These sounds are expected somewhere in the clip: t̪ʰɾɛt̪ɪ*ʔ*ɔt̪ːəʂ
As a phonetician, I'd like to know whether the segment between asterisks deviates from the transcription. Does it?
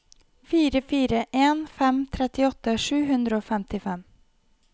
yes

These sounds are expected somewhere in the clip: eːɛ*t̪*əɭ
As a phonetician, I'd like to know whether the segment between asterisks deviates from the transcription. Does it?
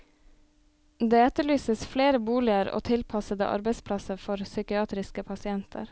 no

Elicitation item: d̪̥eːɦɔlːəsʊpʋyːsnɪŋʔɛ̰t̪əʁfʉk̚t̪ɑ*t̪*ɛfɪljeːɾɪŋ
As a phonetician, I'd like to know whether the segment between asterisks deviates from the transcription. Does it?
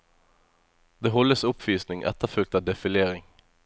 yes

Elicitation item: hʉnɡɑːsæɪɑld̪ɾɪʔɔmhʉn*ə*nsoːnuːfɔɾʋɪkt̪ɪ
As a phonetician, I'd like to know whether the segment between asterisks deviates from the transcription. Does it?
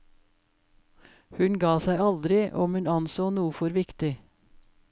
yes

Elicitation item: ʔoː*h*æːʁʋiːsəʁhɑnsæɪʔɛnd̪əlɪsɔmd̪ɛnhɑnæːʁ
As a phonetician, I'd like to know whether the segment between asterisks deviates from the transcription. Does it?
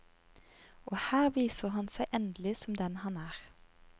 no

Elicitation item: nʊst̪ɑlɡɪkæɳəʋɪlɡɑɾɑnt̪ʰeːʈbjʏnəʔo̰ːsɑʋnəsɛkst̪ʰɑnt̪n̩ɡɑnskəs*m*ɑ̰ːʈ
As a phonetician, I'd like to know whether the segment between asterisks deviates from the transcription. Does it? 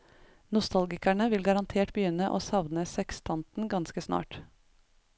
yes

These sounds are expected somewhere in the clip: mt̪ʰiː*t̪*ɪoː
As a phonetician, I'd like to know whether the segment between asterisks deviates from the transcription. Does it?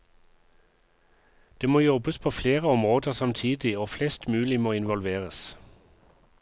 yes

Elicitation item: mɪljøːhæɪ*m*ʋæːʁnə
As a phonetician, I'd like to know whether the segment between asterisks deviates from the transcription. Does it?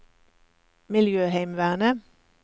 no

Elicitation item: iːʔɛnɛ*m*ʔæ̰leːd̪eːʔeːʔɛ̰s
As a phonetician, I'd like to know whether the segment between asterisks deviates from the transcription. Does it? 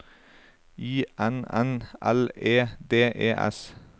yes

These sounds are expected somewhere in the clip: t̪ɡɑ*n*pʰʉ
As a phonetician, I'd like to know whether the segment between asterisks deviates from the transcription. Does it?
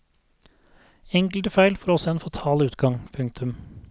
yes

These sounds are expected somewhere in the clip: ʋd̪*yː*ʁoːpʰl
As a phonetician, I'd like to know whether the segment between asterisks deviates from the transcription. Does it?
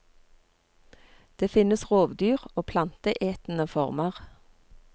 no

